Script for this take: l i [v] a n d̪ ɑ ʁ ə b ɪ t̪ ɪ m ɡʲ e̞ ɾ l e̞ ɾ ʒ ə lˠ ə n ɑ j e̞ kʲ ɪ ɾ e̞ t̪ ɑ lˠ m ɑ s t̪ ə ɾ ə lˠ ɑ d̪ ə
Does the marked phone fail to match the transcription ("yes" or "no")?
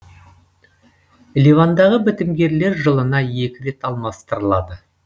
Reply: no